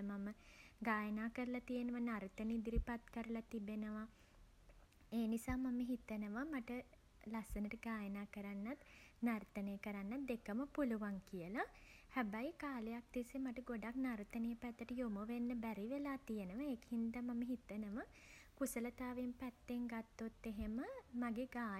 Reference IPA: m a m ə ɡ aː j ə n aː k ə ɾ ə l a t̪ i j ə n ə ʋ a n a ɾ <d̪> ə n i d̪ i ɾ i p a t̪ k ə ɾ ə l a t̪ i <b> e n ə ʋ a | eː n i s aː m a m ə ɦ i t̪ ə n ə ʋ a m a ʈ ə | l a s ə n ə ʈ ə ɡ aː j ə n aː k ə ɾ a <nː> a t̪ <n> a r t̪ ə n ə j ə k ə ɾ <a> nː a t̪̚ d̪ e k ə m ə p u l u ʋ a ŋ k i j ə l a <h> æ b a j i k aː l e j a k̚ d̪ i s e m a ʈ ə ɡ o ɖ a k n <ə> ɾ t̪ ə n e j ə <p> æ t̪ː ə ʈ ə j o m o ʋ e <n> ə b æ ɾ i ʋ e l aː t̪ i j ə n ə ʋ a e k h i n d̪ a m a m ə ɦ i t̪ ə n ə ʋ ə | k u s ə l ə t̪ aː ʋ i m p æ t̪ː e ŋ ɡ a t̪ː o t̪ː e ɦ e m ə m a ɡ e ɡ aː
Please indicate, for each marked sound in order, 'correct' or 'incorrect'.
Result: incorrect, correct, correct, correct, correct, correct, incorrect, correct, incorrect

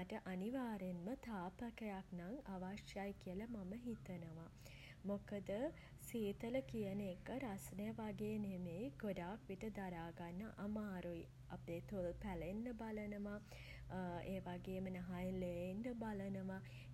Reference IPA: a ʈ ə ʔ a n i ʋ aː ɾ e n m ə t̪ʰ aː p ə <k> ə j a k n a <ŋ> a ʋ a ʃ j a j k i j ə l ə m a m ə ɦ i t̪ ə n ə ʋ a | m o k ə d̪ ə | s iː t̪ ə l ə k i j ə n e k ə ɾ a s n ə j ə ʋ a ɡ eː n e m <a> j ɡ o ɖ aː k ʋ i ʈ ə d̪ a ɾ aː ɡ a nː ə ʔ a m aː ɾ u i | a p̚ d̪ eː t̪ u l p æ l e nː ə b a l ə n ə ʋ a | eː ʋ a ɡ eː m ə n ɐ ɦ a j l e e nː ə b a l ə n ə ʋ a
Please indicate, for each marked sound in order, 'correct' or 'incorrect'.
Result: correct, correct, incorrect

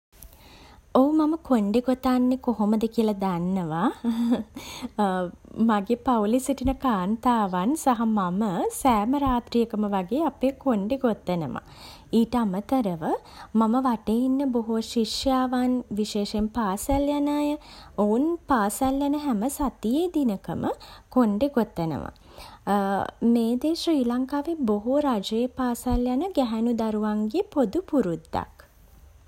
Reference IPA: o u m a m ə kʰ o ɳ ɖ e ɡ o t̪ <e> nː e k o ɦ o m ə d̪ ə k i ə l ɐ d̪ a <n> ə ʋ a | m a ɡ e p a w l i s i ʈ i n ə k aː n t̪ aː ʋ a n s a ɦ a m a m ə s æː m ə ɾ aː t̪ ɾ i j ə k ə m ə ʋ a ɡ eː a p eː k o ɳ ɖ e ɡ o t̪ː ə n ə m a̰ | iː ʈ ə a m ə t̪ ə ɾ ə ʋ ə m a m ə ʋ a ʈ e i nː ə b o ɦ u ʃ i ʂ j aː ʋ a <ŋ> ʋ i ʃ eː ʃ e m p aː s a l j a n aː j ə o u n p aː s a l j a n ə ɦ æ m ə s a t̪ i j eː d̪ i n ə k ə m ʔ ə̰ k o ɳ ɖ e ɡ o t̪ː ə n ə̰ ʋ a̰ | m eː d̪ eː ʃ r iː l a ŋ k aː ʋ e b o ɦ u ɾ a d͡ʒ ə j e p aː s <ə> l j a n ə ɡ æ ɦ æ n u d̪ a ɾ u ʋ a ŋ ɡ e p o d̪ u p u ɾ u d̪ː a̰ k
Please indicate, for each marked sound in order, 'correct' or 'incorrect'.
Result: incorrect, incorrect, incorrect, incorrect

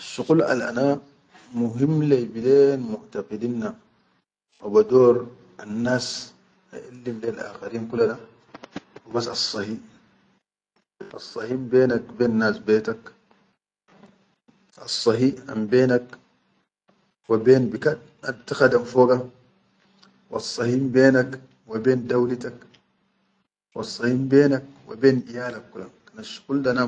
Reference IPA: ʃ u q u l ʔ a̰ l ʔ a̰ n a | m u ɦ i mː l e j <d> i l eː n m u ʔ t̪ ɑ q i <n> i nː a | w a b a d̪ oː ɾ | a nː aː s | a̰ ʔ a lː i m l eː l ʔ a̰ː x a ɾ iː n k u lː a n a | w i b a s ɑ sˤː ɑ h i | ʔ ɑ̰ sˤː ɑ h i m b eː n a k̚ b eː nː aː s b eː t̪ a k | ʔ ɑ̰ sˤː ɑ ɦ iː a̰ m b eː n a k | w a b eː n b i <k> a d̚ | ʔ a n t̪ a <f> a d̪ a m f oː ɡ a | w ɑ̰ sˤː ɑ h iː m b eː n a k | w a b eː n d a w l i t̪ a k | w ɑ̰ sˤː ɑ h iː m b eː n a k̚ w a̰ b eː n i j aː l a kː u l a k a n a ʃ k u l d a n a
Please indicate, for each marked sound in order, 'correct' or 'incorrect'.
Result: incorrect, incorrect, correct, incorrect

